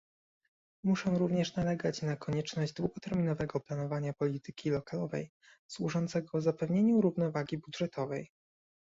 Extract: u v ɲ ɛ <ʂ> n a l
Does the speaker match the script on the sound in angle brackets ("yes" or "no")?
yes